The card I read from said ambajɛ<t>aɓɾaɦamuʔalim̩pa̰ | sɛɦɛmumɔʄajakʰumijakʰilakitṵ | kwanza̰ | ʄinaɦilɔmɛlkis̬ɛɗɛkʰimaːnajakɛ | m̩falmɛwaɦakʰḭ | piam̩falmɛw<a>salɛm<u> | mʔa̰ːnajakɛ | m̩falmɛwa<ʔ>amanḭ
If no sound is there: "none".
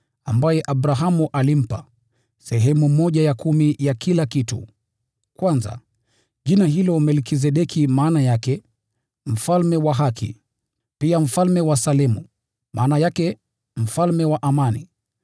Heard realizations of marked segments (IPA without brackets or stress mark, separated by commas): ʔ, a, u, ʔ